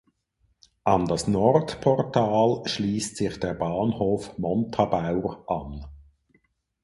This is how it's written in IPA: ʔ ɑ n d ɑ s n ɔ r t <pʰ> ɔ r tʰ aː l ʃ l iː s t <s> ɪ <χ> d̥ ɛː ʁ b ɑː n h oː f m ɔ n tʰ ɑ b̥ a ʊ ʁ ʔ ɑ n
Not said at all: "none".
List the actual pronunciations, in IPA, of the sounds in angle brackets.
pʰ, s, χ

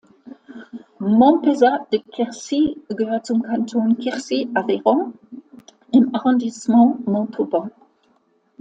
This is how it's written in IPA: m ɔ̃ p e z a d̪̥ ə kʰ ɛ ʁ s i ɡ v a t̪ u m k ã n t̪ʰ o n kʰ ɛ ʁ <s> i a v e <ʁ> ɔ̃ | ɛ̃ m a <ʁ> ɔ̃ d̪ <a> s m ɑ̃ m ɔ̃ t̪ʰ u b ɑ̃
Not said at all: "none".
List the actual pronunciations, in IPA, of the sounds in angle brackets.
s, ʁ, ʁ, i

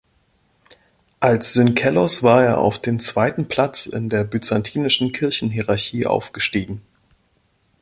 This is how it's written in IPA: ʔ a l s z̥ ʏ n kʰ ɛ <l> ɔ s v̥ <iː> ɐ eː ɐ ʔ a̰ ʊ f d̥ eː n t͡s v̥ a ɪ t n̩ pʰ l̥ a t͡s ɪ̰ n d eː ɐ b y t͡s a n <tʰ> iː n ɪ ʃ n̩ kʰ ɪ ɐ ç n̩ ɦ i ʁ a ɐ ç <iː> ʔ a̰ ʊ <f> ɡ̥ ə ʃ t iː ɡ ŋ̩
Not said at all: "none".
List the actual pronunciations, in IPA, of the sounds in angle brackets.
l, aː, tʰ, iː, f

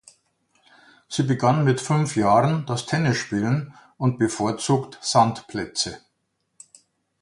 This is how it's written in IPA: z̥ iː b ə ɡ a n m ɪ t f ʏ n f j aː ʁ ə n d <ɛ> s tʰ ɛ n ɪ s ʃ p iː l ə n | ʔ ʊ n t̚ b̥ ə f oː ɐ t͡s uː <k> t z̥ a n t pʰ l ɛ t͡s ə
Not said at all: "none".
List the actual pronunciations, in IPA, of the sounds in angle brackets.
a, k

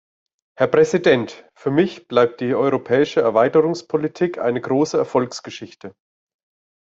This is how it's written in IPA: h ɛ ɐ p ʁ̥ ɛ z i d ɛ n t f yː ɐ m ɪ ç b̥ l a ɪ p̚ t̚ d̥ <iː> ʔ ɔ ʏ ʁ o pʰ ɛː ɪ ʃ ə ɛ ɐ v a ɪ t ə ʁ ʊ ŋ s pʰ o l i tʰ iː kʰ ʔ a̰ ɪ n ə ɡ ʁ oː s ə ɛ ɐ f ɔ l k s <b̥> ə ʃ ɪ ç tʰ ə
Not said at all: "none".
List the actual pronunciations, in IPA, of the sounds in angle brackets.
iː, ɡ̥

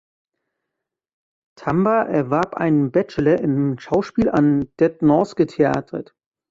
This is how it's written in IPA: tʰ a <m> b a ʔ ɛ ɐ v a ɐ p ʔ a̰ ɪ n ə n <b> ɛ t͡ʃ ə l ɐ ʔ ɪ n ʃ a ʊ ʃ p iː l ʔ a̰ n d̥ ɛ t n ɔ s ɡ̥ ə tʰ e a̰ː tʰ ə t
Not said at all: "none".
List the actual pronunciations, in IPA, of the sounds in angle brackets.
m, b

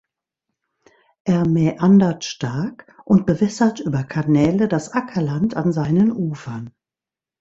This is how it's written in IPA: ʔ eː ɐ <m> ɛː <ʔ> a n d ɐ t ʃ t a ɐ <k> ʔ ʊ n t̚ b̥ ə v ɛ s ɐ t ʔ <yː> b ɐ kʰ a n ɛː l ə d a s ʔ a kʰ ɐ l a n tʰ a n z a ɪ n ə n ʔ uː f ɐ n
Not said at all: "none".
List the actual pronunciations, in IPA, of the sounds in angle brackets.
m, ʔ, k, yː

